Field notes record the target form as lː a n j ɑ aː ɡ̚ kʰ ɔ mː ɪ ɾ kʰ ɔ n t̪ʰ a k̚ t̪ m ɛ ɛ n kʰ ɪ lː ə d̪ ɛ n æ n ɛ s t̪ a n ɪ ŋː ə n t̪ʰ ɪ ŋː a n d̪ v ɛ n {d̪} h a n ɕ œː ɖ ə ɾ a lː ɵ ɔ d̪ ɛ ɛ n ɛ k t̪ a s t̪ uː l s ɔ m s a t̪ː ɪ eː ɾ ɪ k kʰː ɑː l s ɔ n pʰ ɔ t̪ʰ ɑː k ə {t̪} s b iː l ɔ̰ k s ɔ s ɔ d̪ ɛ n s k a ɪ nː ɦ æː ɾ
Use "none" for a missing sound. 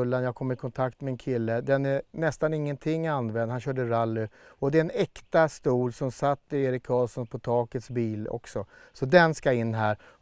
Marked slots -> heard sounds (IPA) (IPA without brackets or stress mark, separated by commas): d̪, t̪